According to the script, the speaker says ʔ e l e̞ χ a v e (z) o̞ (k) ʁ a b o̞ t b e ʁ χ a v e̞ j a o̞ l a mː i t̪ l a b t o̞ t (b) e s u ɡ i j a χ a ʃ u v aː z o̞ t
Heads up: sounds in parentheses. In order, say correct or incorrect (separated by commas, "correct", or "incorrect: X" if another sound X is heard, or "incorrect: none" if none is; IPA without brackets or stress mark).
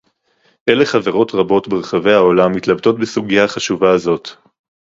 incorrect: ʁ, incorrect: t, correct